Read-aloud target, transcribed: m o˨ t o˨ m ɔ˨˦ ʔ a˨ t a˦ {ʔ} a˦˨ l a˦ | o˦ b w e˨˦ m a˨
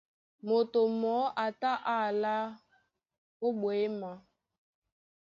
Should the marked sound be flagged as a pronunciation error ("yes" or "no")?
no